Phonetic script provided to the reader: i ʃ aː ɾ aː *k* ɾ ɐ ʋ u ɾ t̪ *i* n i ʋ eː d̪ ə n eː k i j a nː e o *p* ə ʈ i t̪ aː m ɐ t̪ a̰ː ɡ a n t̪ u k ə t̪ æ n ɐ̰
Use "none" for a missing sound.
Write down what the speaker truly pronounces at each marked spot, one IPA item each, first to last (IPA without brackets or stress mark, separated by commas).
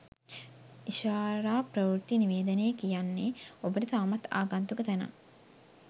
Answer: p, i, b